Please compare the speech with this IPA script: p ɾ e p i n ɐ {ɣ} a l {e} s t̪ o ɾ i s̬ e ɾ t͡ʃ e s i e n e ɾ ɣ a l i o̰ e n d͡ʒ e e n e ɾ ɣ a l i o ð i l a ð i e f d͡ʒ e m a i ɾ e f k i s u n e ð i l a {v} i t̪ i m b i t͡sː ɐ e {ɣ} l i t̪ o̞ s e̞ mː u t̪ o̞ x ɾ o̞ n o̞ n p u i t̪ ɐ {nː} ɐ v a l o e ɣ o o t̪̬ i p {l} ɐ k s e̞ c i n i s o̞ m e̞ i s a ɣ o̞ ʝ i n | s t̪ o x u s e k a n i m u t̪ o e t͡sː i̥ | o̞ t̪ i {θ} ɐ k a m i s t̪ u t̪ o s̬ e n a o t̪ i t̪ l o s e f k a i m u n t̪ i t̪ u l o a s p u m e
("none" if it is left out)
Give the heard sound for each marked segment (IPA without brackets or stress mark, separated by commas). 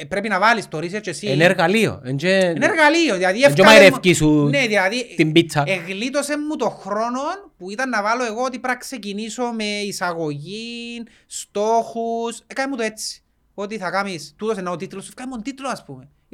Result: v, i, ð, ɣ, nː, ɾ, θ